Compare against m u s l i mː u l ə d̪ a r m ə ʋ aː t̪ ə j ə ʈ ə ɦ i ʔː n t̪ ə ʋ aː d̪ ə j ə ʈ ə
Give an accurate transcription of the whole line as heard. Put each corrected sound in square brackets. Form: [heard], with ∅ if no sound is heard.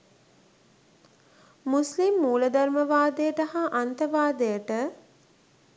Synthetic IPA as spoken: m u s l i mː [uː] l ə d̪ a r m ə ʋ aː [d̪] ə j ə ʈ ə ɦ [a] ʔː n t̪ ə ʋ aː d̪ ə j ə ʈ ə